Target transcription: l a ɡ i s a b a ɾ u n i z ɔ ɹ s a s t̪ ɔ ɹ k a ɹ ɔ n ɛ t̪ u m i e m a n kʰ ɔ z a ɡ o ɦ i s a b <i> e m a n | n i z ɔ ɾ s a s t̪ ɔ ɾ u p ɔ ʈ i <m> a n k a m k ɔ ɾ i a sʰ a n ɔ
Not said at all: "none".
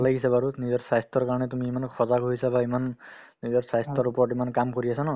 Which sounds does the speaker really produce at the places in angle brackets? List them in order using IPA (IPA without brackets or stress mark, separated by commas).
a, m